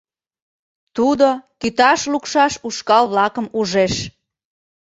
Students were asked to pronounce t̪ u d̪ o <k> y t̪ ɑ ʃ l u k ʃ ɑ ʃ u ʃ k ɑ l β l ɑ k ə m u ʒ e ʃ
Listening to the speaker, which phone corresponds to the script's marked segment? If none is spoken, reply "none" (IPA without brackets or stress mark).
k